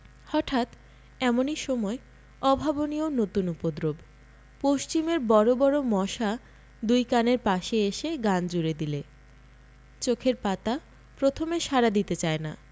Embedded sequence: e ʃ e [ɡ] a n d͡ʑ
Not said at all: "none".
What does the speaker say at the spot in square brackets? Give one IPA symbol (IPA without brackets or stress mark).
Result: ɡ